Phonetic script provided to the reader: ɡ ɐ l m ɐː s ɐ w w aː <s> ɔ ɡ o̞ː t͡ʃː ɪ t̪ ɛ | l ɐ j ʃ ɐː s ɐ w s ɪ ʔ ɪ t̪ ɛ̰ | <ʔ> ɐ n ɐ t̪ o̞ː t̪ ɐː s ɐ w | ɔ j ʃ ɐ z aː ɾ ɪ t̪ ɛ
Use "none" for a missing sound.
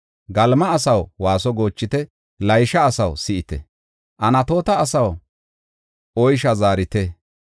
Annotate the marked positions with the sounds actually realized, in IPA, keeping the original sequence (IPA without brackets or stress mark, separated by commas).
s, ʔ